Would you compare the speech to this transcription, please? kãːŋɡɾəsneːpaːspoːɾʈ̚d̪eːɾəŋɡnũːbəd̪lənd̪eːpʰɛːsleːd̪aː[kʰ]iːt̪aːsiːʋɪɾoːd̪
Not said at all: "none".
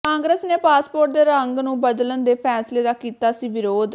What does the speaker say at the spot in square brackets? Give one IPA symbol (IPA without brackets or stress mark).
k